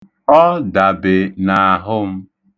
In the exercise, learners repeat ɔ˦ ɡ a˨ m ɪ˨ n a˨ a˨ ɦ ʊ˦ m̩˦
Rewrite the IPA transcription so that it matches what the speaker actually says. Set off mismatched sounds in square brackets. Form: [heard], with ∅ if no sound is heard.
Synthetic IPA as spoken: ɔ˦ [d] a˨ [b] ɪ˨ n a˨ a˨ ɦ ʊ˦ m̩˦